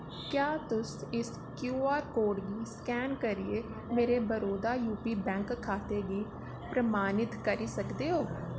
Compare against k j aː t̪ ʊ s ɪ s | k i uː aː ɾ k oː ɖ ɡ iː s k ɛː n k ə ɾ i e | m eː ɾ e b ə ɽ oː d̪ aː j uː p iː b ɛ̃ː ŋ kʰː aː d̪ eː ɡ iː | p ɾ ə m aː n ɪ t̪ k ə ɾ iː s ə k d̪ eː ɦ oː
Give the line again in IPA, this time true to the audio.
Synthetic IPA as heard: k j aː t̪ ʊ s ɪ s | k j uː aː ɾ k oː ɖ ɡ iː s k ɛː n k ə ɾ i e | m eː ɾ e b ə ɾ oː d̪ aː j uː p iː b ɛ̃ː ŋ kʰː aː t̪ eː ɡ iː | p ɾ ə m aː n ɪ t̪ k ə ɾ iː s ə k d̪ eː ɦ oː